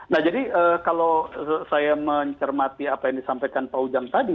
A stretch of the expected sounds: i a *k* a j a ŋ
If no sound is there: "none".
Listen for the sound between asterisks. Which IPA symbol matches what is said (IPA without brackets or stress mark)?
p